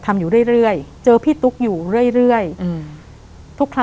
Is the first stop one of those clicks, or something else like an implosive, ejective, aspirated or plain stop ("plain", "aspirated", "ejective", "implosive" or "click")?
aspirated